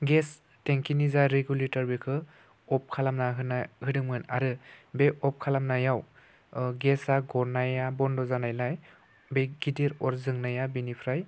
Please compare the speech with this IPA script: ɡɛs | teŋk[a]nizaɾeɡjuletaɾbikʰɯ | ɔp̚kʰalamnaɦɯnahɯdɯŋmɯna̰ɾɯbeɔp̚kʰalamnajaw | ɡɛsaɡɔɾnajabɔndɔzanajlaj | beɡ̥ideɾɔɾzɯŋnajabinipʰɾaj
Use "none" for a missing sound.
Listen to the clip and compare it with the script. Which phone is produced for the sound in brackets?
i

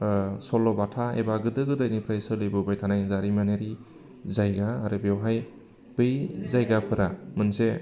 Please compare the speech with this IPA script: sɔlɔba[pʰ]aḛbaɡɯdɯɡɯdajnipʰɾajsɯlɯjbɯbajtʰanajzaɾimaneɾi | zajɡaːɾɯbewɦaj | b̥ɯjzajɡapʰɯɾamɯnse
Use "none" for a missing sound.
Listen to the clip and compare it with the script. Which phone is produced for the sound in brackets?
tʰ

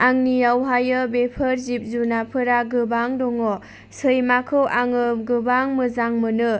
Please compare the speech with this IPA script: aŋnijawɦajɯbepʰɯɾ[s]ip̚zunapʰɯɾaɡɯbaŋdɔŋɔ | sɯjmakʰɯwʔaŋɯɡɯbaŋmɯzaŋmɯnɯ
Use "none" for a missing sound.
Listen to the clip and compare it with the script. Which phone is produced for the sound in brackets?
z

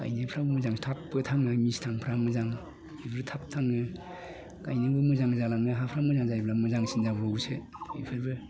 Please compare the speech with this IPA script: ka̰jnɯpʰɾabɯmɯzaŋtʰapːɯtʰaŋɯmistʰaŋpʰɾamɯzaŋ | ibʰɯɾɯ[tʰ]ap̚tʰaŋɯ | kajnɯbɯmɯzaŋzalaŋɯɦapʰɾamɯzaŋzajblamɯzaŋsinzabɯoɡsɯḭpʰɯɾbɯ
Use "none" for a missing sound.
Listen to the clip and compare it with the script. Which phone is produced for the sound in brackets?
tʰ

